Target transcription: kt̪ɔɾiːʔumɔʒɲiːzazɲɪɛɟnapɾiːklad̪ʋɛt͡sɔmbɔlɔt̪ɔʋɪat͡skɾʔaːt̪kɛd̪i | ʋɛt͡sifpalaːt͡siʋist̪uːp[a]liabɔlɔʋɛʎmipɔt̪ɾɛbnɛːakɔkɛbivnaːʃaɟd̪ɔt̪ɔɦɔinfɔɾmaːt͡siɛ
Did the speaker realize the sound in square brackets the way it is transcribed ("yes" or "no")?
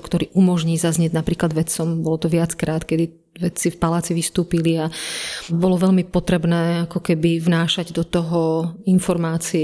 no